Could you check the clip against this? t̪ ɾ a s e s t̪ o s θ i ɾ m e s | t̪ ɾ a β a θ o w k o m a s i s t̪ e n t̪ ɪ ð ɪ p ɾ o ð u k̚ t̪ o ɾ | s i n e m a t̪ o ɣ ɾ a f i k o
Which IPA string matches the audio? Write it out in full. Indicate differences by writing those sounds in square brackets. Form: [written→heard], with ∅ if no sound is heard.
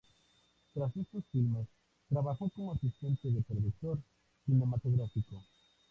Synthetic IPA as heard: t̪ ɾ a s e s t̪ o s [θ→f] i [ɾ→l] m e s | t̪ ɾ a β a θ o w k o [m→ŋ] a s i s t̪ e n t̪ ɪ ð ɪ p ɾ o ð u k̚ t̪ o ɾ | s i n e m a t̪ o ɣ ɾ a f i k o